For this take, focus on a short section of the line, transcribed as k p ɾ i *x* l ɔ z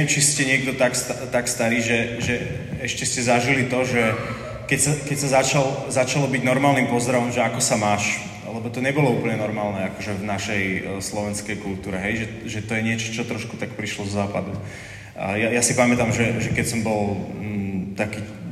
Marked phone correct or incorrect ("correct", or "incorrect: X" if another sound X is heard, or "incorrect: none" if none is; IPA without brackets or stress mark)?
incorrect: ʃ